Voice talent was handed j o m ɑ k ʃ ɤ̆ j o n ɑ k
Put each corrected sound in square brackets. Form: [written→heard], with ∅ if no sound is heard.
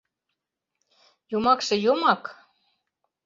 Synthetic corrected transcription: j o m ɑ k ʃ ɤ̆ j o [n→m] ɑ k